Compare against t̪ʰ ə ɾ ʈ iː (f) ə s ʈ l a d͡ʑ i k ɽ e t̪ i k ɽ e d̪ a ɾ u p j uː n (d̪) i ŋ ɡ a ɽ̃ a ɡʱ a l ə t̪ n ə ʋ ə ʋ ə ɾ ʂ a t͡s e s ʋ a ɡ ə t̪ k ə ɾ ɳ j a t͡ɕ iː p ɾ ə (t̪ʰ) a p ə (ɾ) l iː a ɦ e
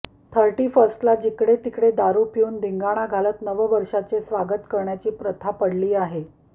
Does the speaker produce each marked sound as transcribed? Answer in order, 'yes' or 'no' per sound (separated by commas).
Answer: yes, yes, yes, no